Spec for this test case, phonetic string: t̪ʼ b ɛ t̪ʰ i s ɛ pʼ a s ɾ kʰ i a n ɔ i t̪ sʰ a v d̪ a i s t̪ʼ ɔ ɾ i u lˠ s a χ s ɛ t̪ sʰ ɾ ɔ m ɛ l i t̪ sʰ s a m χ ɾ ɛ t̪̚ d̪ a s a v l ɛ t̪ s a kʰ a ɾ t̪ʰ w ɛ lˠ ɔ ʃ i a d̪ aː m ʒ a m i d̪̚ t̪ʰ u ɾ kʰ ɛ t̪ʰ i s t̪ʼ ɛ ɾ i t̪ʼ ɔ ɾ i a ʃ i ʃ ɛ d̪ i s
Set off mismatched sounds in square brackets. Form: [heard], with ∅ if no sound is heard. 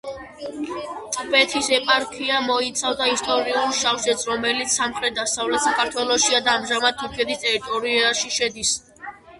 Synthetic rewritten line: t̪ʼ b ɛ t̪ʰ i s ɛ pʼ a [∅] ɾ kʰ i a [m] ɔ i t̪ sʰ a v d̪ a i s t̪ʼ ɔ ɾ i u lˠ [ʃ] a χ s ɛ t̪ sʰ ɾ ɔ m ɛ l i t̪ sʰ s a m χ ɾ ɛ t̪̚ d̪ a s a v l ɛ t̪ s a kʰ a ɾ t̪ʰ w ɛ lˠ ɔ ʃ i a d̪ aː m ʒ a m [a] d̪̚ t̪ʰ u ɾ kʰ ɛ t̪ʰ i s t̪ʼ ɛ ɾ i t̪ʼ ɔ ɾ i a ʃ i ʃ ɛ d̪ i s

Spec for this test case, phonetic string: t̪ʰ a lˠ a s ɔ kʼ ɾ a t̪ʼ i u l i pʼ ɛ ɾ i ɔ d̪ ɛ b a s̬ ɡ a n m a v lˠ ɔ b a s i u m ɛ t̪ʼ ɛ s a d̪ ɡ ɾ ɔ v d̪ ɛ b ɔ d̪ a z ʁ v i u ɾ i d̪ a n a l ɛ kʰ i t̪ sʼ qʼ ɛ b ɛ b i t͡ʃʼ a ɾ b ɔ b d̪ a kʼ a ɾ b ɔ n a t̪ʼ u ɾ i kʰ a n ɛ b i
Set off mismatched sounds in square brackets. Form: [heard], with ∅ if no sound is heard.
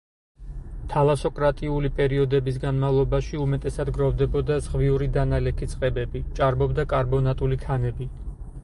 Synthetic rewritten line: t̪ʰ a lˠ a s ɔ kʼ ɾ a t̪ʼ i u l i pʼ ɛ ɾ i ɔ d̪ ɛ b [i] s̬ ɡ a n m a v lˠ ɔ b a [ʃ] i u m ɛ t̪ʼ ɛ s a d̪ ɡ ɾ ɔ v d̪ ɛ b ɔ d̪ a z ʁ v i u ɾ i d̪ a n a l ɛ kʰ i t̪ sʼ qʼ ɛ b ɛ b i t͡ʃʼ a ɾ b ɔ b d̪ a kʼ a ɾ b ɔ n a t̪ʼ u [l] i kʰ a n ɛ b i

